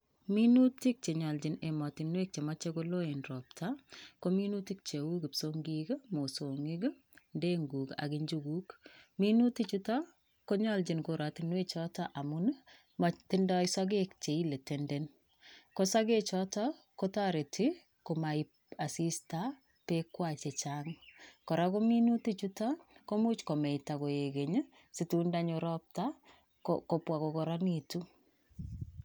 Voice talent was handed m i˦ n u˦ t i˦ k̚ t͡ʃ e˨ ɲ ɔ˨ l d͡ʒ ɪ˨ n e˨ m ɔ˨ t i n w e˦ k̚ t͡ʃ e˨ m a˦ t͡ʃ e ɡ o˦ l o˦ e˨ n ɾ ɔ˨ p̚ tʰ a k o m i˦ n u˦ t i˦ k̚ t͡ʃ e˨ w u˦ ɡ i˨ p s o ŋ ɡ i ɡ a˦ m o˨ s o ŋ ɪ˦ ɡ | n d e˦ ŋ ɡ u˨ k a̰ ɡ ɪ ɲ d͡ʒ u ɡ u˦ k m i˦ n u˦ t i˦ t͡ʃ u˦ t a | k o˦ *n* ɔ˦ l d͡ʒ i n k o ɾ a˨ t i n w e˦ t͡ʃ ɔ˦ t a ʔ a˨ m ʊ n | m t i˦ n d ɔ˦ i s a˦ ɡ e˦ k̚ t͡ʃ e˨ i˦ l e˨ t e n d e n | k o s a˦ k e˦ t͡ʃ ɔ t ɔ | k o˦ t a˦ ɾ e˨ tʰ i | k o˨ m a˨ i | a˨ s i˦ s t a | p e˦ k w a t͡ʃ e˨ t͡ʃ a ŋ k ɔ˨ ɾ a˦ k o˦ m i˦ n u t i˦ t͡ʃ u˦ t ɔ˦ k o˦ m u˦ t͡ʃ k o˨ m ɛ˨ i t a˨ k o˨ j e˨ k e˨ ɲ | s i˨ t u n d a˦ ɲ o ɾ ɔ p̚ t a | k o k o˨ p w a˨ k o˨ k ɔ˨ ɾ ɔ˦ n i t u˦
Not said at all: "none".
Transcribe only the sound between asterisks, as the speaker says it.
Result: ɲ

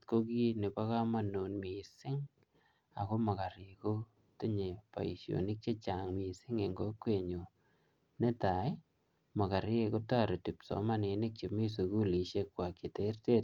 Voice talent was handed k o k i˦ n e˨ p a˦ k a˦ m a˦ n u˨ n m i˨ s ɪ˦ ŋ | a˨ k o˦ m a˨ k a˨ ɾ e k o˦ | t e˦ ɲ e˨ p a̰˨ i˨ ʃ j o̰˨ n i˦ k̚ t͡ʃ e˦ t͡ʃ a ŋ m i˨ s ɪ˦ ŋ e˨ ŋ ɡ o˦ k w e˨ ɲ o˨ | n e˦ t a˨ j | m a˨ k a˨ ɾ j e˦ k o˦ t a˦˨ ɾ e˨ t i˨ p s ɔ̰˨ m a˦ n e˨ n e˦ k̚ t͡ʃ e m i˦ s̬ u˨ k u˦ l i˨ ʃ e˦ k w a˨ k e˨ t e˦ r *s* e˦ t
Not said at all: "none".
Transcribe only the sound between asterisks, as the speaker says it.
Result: t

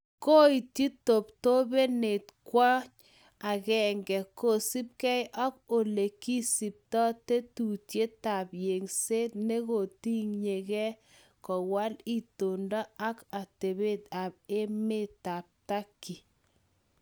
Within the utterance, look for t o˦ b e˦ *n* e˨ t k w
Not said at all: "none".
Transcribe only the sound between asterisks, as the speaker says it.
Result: n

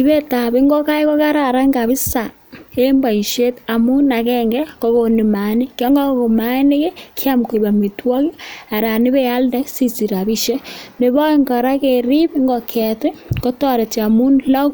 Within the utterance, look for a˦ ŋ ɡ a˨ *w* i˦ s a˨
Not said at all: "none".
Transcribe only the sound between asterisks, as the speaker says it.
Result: β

